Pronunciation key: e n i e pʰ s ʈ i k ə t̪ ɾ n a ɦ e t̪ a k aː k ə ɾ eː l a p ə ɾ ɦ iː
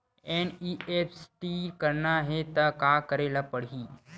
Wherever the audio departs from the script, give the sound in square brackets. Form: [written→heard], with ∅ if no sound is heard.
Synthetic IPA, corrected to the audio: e n i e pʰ s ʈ i k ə [t̪→∅] ɾ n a ɦ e t̪ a k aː k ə ɾ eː l a p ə [ɾ→ɽ] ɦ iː